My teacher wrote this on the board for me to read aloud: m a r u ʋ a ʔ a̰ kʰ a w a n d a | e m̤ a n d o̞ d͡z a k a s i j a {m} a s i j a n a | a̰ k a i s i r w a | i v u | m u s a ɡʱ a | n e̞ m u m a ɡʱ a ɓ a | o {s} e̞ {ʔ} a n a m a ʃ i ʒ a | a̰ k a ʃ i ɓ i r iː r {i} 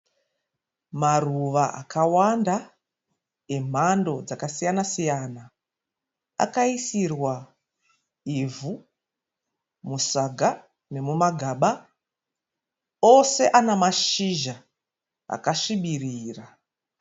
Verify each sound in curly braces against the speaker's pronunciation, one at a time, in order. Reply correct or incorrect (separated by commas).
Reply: incorrect, correct, correct, incorrect